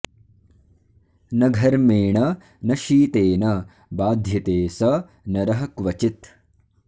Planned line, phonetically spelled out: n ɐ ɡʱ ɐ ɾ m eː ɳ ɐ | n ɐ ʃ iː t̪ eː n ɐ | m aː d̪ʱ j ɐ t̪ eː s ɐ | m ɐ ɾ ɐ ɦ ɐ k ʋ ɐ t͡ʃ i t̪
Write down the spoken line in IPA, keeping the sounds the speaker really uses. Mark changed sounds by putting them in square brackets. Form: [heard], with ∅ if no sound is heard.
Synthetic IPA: n ɐ ɡʱ ɐ ɾ m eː ɳ ɐ | n ɐ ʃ iː t̪ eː n ɐ | [b] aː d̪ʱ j ɐ t̪ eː s ɐ | [n] ɐ ɾ ɐ ɦ ɐ k ʋ ɐ t͡ʃ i t̪